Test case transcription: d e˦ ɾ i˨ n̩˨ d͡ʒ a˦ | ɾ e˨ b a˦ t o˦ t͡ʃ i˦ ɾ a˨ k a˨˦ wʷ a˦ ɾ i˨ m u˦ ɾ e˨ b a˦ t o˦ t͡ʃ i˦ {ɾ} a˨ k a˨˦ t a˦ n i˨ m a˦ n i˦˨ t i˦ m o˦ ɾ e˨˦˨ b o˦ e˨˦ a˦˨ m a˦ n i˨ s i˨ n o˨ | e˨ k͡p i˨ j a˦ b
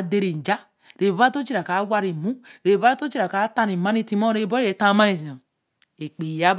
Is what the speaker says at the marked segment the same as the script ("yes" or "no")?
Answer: yes